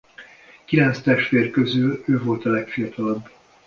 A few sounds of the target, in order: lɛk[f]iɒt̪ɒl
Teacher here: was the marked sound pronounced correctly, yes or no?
yes